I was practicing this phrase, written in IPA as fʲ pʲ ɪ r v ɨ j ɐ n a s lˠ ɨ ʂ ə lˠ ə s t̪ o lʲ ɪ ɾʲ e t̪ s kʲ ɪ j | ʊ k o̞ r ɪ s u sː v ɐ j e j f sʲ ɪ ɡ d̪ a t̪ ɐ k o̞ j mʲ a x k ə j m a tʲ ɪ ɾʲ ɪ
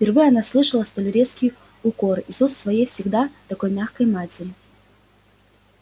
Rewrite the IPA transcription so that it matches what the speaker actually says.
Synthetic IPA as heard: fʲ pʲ ɪ r v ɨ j ɐ n a s lˠ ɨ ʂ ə lˠ ə s t̪ o lʲ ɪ ɾʲ e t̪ s kʲ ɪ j | ʊ k o̞ r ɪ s u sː v ɐ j e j f sʲ ɪ ɡ d̪ a t̪ ɐ k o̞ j mʲ a x k ə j m a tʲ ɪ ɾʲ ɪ